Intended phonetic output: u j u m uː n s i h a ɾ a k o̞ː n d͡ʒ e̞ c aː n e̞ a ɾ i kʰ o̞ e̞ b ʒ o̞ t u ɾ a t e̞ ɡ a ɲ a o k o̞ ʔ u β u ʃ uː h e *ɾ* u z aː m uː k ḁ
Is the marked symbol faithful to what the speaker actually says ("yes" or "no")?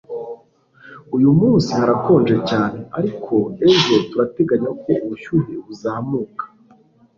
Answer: no